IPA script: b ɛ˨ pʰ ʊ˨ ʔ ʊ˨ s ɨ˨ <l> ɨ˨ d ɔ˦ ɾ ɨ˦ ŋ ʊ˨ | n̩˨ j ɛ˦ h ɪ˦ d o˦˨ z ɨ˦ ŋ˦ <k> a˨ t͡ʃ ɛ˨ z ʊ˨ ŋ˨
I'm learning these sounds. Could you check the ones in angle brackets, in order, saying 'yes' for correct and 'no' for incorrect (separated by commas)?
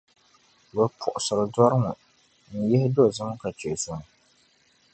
no, yes